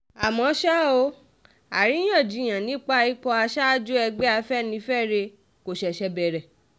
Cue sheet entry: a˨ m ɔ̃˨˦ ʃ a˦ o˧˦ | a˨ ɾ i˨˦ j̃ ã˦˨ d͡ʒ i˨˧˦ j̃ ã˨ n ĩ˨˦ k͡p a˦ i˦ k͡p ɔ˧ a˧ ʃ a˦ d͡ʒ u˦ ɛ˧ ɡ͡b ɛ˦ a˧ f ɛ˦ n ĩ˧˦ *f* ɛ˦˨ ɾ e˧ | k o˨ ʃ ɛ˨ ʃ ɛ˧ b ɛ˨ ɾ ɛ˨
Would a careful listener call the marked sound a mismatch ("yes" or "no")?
no